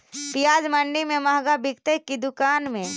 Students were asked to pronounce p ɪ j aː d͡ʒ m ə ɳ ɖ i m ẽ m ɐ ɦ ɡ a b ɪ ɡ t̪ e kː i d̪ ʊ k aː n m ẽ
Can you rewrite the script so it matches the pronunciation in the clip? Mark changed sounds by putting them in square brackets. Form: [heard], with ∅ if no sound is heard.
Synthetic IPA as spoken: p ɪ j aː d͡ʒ m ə ɳ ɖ i m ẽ m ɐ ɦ ɡ a b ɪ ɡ t̪ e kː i d̪ ʊ k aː n m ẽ